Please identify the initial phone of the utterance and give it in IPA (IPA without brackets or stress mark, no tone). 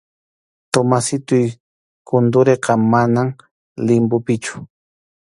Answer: t̪